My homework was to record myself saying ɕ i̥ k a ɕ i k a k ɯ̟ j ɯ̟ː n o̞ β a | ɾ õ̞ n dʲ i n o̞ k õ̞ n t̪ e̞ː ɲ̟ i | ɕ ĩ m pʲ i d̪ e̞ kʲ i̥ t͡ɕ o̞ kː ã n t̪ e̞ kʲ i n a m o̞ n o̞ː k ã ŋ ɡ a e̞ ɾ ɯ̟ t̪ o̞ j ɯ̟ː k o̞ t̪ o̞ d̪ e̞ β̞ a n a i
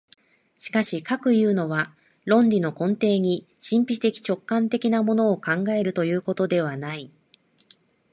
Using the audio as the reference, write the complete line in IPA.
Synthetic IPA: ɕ i̥ k a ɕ i k a k ɯ̟ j ɯ̟ː n o̞ β a | ɾ õ̞ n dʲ i n o̞ k õ̞ n t̪ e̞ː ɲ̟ i | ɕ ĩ m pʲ i t̪ e̞ kʲ i̥ t͡ɕ o̞ kː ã n t̪ e̞ kʲ i n a m o̞ n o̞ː k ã ŋ ɡ a e̞ ɾ ɯ̟ t̪ o̞ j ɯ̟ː k o̞ t̪ o̞ d̪ e̞ β̞ a n a i